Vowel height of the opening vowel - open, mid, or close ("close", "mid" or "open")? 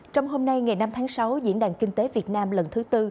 mid